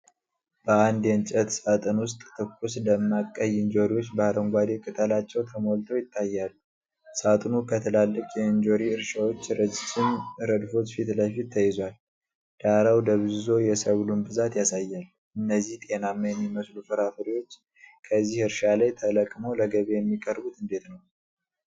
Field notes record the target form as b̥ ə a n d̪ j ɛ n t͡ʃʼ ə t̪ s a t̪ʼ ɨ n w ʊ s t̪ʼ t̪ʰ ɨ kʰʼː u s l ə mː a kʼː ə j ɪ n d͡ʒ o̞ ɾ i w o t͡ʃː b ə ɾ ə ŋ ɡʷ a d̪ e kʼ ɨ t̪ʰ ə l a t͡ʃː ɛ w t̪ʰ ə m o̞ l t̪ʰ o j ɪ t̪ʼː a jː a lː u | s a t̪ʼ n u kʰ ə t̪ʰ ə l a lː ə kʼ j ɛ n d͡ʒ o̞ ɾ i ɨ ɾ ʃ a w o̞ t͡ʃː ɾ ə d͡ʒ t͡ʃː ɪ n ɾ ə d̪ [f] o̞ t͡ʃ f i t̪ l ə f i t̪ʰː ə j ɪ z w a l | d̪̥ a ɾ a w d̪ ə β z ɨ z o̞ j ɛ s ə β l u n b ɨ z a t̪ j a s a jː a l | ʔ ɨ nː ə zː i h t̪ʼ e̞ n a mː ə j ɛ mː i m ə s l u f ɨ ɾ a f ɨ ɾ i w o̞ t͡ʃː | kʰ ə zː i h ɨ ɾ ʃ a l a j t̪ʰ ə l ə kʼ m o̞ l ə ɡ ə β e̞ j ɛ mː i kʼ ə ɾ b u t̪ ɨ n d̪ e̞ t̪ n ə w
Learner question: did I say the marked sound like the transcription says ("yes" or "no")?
yes